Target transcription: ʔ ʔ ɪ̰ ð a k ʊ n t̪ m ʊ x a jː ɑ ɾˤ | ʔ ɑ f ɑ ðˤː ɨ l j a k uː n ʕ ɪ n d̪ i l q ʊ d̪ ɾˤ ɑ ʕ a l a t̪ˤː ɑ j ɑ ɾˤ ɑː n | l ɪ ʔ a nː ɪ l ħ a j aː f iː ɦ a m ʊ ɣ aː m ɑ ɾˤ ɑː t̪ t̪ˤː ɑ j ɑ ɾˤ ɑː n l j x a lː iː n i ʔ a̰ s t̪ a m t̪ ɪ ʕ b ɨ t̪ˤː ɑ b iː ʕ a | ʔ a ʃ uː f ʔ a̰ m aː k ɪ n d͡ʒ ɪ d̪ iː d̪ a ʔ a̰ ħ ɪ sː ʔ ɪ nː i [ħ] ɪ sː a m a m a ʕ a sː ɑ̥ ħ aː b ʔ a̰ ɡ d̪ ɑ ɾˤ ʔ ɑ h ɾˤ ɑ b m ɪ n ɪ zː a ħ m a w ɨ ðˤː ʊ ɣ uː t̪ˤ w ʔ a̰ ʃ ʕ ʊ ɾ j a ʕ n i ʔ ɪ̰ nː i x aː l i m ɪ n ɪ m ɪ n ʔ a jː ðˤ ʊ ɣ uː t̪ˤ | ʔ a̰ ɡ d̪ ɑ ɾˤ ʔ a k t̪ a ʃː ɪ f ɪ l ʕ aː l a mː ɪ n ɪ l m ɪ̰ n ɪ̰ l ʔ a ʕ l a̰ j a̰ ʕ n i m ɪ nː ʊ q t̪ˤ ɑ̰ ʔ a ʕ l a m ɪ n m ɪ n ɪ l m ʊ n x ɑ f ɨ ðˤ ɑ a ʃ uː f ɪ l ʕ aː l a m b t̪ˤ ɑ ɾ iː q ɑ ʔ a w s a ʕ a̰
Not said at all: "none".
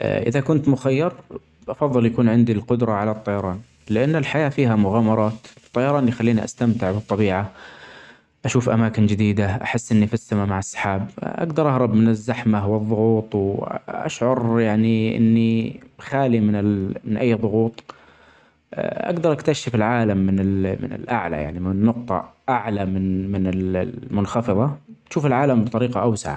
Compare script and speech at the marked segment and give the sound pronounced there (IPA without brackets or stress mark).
f